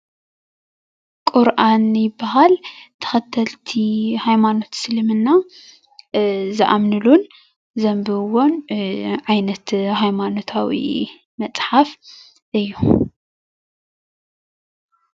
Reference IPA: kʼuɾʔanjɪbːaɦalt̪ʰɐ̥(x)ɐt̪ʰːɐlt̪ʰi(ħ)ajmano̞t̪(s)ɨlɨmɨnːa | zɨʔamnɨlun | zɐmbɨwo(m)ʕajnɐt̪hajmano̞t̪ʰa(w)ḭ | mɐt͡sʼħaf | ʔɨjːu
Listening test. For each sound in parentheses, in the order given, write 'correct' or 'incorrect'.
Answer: correct, incorrect, correct, incorrect, correct

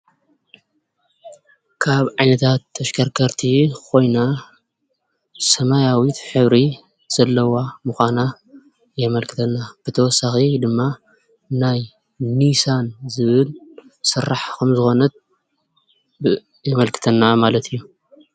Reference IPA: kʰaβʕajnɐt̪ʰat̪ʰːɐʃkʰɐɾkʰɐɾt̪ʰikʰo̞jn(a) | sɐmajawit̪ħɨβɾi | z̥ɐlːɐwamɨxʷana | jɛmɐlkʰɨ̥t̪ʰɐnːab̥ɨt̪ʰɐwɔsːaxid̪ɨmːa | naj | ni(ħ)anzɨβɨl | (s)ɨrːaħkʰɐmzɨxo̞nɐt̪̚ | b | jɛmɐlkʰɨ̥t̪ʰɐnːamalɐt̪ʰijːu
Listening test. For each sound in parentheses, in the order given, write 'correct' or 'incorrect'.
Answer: correct, incorrect, correct

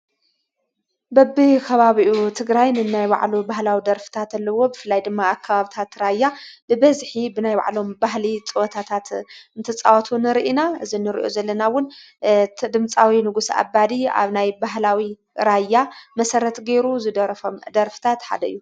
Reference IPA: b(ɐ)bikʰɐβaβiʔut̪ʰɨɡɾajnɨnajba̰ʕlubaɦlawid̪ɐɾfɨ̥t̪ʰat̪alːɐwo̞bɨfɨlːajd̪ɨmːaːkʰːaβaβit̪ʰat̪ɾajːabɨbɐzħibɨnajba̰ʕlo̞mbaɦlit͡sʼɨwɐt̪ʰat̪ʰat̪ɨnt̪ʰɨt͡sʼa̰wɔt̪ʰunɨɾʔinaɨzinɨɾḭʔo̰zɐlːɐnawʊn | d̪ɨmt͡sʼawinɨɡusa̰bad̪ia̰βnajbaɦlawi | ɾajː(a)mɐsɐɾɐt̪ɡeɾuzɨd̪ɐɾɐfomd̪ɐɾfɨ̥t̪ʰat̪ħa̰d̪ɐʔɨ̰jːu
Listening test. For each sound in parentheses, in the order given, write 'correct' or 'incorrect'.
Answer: correct, correct

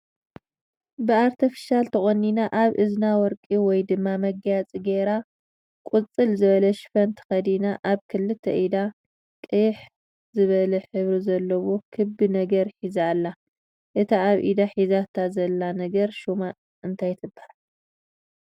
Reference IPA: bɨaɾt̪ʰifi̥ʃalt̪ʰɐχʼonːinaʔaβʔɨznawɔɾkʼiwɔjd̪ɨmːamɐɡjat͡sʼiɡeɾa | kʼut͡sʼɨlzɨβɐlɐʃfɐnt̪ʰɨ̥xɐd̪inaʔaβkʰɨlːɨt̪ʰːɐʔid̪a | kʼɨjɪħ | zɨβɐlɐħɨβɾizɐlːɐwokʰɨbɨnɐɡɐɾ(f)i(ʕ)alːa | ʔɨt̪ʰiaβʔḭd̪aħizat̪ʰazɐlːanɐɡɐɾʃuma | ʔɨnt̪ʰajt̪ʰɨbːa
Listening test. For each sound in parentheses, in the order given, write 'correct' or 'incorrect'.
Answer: incorrect, incorrect

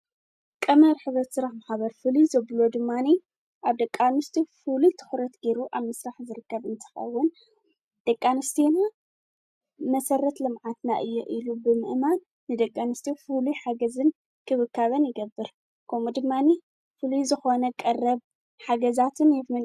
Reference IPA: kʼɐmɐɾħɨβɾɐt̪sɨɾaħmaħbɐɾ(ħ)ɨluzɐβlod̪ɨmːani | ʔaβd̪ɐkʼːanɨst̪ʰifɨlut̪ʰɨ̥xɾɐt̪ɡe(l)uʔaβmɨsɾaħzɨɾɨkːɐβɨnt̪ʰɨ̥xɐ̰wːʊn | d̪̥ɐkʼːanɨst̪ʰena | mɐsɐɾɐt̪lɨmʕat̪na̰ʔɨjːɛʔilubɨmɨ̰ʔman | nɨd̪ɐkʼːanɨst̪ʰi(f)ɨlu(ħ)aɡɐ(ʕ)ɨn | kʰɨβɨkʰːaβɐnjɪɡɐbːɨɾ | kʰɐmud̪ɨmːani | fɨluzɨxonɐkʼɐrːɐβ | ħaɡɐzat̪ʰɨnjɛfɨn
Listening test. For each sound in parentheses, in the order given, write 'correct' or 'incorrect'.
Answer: incorrect, incorrect, correct, correct, incorrect

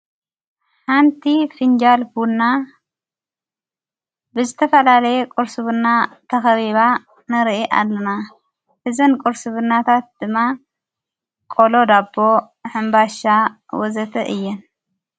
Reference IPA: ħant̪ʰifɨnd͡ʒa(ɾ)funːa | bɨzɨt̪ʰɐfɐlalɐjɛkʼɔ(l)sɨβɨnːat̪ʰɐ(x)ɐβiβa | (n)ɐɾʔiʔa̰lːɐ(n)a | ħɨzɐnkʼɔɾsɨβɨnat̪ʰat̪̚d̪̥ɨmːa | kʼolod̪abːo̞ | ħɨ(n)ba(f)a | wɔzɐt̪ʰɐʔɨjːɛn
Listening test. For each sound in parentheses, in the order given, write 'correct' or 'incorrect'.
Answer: incorrect, incorrect, correct, correct, correct, incorrect, incorrect

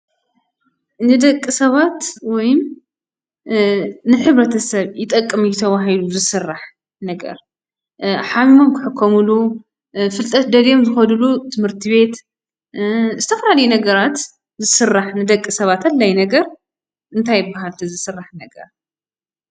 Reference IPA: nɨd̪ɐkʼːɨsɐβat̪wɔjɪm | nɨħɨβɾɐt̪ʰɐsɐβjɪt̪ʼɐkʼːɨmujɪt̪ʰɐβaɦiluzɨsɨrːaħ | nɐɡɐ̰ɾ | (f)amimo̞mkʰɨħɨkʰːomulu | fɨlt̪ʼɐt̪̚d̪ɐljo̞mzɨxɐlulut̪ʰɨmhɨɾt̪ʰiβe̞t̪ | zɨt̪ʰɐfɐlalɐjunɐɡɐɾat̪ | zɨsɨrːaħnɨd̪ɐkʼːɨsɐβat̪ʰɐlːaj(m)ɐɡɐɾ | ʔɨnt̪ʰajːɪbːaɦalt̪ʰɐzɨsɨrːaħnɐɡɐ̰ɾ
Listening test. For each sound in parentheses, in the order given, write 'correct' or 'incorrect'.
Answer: incorrect, incorrect

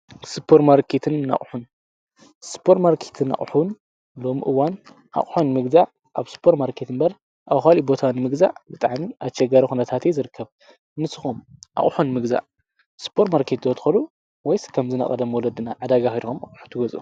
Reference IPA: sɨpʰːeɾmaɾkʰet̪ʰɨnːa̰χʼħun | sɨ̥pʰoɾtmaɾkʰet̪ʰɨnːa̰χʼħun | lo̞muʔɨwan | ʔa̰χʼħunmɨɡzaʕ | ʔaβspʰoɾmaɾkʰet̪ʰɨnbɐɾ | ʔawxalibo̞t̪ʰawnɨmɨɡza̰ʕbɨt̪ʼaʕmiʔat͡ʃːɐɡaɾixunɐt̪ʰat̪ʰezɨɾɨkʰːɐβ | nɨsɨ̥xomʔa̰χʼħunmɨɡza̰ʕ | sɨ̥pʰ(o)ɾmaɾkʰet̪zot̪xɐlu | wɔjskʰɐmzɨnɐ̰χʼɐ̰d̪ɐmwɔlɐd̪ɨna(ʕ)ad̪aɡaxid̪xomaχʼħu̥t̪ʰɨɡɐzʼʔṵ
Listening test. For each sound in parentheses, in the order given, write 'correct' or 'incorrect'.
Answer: correct, correct

